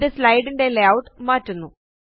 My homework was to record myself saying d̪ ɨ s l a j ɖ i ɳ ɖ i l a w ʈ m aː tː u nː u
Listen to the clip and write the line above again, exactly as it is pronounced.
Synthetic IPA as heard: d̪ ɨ s l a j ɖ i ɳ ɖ e l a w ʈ m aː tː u nː u

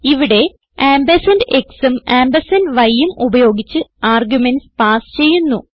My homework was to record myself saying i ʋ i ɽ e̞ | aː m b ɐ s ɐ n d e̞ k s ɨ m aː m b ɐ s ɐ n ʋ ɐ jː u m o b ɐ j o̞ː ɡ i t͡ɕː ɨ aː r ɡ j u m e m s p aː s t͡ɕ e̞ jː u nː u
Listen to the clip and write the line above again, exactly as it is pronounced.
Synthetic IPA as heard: i ʋ i ɽ e̞ | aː m b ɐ s ɐ n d e̞ k s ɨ m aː m b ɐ s ɐ n ʋ ɐ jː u m u b ɐ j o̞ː ɡ i t͡ɕː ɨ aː r ɡ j u m e n s p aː s t͡ɕ e̞ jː u nː u

